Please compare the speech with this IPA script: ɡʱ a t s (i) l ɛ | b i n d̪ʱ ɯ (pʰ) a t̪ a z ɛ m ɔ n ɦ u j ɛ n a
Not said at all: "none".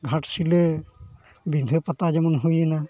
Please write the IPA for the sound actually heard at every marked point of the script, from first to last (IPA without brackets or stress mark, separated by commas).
i, p